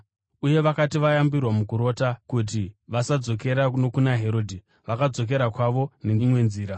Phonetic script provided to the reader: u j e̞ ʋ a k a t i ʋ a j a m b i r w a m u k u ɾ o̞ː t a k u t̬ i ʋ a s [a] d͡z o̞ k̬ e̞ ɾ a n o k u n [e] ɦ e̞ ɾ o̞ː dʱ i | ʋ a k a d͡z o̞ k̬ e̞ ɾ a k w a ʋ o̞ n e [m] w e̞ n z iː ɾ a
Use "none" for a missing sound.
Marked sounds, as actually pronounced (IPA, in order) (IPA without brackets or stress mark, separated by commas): a, a, m